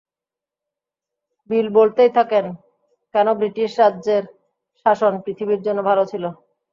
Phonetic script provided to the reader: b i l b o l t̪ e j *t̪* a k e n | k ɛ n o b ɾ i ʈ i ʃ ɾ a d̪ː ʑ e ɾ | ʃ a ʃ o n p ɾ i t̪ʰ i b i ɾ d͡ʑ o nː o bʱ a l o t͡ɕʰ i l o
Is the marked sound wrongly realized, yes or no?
yes